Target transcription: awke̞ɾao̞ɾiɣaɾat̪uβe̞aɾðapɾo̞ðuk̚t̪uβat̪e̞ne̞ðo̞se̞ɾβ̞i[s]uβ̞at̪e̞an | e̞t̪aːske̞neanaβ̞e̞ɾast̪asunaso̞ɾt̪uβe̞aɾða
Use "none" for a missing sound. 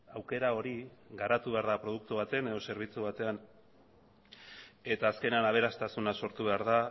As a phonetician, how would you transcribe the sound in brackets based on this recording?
t͡s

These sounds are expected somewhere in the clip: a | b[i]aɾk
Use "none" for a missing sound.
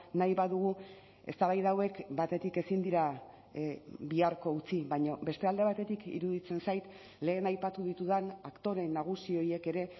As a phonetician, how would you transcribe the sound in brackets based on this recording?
i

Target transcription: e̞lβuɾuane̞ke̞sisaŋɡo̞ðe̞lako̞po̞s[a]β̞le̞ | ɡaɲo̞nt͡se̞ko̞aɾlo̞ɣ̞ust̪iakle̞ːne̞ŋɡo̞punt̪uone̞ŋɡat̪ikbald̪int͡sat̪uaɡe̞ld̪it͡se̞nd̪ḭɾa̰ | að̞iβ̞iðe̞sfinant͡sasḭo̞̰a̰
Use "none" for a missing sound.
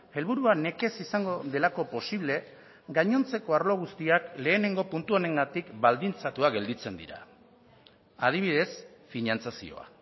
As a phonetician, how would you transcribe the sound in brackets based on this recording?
i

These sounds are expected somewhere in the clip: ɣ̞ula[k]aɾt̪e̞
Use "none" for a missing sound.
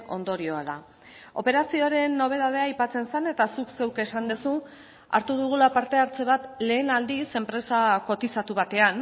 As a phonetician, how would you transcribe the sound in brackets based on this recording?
p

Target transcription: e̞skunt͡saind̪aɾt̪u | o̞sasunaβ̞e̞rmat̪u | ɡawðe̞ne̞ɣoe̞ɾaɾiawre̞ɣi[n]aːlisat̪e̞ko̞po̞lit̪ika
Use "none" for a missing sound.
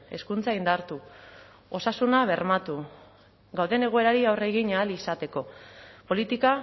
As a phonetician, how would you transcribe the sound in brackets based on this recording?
ɲ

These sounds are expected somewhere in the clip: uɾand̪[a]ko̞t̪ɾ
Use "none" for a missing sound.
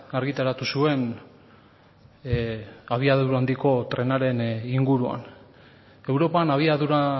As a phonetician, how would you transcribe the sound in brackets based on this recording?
i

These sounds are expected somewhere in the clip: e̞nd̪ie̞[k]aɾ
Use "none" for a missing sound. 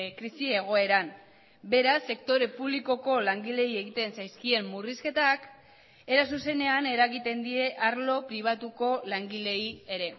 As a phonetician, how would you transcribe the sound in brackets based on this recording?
ʔ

